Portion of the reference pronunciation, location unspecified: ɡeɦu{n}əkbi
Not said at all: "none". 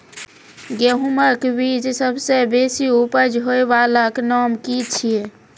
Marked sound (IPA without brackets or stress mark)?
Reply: m